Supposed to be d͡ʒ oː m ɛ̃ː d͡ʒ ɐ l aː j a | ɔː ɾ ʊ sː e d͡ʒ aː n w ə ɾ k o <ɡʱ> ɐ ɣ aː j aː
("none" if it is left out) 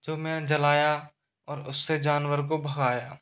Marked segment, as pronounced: bʱ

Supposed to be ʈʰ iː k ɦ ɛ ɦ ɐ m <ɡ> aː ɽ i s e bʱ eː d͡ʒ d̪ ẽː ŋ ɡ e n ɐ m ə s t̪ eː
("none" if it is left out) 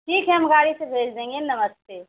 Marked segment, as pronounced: ɡ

